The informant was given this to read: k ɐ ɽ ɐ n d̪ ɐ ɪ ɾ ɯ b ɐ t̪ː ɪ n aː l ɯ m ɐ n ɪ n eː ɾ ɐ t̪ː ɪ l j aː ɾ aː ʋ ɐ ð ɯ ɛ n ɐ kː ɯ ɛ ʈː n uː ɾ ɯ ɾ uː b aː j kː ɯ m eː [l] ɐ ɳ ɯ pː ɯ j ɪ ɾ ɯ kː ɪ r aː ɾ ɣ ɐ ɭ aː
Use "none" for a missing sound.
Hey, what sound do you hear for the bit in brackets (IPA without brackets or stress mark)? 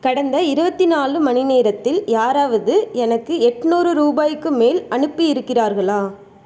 l